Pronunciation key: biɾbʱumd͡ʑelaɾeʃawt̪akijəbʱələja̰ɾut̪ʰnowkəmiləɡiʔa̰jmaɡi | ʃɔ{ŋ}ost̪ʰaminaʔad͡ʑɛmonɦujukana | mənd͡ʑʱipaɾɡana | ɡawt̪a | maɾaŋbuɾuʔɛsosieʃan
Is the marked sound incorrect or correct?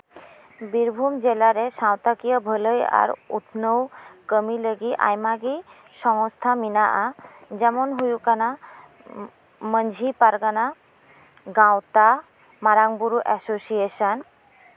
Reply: correct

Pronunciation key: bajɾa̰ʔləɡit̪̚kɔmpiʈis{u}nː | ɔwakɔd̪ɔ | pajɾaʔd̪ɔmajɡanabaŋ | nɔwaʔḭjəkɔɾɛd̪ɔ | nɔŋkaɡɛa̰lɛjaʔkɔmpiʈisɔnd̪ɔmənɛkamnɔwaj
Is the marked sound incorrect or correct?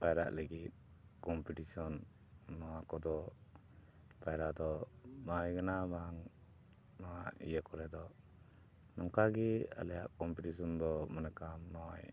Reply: incorrect: ɔ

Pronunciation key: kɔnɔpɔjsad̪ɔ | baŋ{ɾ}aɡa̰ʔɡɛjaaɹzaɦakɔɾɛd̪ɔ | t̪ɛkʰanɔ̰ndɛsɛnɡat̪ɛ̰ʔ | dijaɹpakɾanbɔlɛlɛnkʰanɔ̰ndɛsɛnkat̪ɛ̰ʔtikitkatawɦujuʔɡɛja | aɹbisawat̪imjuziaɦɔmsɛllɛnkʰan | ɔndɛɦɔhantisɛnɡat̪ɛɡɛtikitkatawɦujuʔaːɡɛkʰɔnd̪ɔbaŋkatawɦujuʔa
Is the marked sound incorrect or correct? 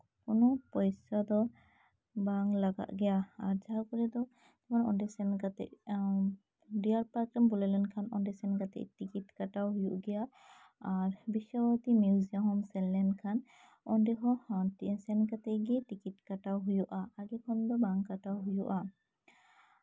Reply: incorrect: l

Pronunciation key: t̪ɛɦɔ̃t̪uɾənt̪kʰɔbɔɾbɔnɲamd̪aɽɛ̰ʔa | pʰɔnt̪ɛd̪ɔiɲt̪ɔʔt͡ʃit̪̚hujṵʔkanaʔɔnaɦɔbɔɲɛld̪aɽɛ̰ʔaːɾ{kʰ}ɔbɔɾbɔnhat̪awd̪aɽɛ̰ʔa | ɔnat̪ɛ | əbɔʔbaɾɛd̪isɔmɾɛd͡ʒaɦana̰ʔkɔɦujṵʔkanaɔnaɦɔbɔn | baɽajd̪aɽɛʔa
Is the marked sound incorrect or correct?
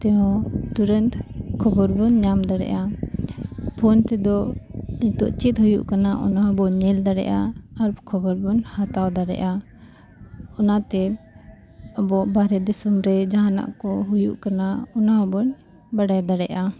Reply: correct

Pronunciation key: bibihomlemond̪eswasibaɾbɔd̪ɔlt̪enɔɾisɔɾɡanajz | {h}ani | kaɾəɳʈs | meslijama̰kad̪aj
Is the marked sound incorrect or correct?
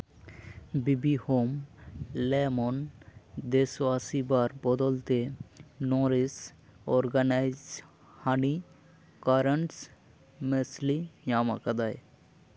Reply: correct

